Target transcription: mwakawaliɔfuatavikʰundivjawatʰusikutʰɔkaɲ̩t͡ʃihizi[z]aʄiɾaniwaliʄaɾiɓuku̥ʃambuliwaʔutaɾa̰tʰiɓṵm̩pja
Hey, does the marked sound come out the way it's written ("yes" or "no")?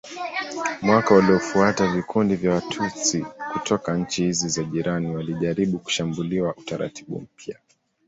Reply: yes